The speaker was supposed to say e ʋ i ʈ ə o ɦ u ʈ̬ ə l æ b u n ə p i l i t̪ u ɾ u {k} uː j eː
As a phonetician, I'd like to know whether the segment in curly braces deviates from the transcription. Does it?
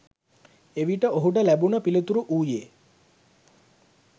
yes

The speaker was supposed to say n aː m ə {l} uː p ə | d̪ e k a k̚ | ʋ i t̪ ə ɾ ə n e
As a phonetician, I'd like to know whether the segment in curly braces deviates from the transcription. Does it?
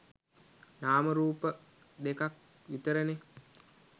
yes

